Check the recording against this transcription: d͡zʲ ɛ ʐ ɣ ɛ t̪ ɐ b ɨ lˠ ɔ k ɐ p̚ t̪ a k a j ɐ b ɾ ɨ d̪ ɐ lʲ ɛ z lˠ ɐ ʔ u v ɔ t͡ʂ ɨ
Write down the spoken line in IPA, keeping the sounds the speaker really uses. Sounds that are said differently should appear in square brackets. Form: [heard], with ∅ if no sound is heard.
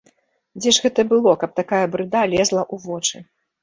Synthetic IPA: d͡zʲ ɛ ʐ ɣ ɛ t̪ ɐ b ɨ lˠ ɔ k ɐ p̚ t̪ a k a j ɐ b ɾ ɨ d̪ [a] lʲ ɛ z lˠ ɐ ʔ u v ɔ t͡ʂ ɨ